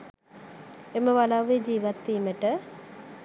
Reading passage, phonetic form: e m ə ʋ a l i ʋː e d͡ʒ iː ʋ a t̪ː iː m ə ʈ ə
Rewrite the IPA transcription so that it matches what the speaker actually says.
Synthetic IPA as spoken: e m ə ʋ a l a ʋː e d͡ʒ iː ʋ a t̪ː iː m ə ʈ ə

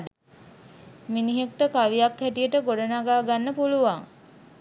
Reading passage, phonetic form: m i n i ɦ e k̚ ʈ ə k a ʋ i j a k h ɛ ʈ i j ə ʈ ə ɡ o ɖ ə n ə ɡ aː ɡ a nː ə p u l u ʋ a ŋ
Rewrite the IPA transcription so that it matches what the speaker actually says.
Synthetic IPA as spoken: m i n i ɦ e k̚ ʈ ə k a ʋ i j a k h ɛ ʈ i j ə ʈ ə ɡ o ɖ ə n a ɡ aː ɡ a nː ə p u l u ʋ a ŋ

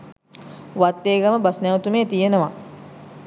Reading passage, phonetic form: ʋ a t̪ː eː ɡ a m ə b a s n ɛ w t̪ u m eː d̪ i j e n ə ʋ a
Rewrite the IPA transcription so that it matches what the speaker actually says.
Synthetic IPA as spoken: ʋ a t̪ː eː ɡ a m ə b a s n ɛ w t̪ u m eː t̪ i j e n ə ʋ a

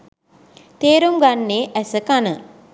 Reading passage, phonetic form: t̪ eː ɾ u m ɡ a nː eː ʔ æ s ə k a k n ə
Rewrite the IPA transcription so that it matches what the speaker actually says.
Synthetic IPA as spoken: t̪ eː ɾ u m ɡ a nː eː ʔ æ s ə k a n ə

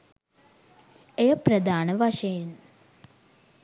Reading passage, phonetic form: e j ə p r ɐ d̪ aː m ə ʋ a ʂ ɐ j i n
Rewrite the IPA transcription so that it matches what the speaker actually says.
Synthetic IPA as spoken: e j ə p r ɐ d̪ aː n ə ʋ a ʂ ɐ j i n

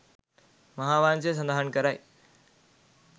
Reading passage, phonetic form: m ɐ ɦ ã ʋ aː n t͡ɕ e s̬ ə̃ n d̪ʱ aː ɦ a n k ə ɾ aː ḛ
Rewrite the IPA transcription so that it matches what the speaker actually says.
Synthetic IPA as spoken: m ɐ ɦ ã ʋ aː n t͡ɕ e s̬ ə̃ n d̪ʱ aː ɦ ə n k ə ɾ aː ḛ

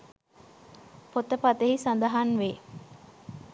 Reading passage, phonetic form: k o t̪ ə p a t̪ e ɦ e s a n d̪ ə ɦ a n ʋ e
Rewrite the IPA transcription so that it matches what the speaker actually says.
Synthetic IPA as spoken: p o t̪ ə p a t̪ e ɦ i s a n d̪ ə ɦ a n ʋ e

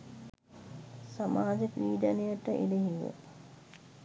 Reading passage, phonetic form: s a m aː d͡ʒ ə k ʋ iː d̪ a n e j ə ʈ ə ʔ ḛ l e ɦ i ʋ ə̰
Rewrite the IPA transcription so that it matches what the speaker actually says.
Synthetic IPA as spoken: s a m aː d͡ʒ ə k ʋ iː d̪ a n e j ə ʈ ə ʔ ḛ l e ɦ i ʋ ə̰

